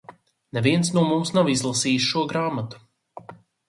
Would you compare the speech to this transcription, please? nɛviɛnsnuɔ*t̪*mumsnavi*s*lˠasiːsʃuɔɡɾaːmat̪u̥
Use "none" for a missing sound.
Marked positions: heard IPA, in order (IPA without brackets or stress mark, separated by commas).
none, z